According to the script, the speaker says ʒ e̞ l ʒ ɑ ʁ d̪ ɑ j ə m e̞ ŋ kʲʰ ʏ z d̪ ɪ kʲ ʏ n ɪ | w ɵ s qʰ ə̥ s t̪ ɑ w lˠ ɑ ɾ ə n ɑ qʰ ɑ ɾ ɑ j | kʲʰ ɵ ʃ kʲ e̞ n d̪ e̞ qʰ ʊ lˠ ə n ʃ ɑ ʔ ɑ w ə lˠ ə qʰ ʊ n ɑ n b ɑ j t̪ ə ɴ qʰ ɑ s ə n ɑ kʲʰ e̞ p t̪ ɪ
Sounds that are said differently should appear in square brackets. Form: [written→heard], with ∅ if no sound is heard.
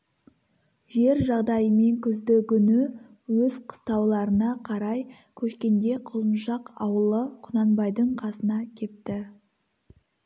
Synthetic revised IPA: ʒ e̞ [l→ɾ] ʒ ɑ ʁ d̪ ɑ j ə m e̞ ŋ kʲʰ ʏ z d̪ ɪ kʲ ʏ n ɪ | w ɵ [s→z] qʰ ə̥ s t̪ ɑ w lˠ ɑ ɾ ə n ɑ qʰ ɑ ɾ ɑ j | kʲʰ ɵ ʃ kʲ e̞ n d̪ e̞ qʰ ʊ lˠ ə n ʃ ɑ [ʔ→q] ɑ w ə lˠ ə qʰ ʊ n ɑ n b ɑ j [t̪→d̪] ə ɴ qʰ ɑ s ə n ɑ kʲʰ e̞ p t̪ ɪ